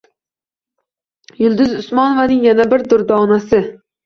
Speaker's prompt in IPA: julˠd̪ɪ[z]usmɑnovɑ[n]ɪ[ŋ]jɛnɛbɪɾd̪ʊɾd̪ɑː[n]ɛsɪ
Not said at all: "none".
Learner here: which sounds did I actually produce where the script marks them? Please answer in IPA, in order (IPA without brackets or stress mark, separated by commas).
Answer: z, n, ŋ, n